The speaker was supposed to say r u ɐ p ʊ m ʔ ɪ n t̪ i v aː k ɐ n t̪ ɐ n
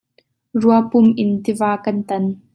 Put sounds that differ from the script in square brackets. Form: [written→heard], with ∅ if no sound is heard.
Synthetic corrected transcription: r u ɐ p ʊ m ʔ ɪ n t̪ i v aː k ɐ n t̪ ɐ n